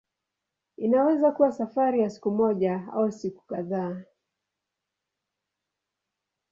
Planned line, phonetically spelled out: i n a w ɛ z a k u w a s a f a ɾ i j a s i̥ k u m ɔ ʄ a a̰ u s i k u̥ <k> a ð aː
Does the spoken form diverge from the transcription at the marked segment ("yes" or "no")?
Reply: no